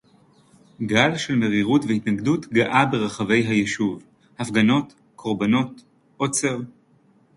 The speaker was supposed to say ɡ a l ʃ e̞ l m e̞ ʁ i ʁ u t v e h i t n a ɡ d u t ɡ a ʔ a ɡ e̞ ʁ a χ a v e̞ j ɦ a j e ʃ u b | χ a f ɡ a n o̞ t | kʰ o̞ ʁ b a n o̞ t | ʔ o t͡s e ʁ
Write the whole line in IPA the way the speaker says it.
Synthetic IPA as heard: ɡ a l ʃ e̞ l m e̞ ʁ i ʁ u t v e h i t n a ɡ d u t ɡ a ʔ a b e̞ ʁ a χ a v e̞ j ɦ a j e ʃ u v | h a f ɡ a n o̞ t | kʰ o̞ ʁ b a n o̞ t | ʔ o t͡s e ʁ